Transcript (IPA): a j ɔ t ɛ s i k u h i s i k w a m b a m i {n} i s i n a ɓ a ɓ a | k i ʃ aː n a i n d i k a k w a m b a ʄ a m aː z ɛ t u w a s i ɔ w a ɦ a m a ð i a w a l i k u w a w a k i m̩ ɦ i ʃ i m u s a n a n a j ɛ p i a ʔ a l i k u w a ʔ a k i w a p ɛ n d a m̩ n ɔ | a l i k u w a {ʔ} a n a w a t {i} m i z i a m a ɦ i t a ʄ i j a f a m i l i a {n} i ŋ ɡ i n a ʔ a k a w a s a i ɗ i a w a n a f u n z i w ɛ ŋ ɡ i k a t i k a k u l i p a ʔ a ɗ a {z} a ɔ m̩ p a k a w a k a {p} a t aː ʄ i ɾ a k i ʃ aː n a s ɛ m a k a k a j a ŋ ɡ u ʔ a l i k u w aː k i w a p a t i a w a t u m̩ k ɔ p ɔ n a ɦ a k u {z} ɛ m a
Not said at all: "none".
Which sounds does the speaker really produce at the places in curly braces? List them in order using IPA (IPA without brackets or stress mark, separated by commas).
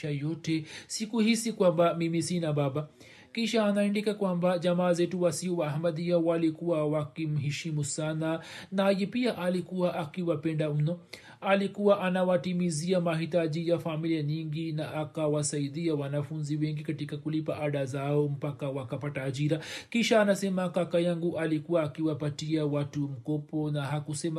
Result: m, ʔ, i, ɲ, z, p, s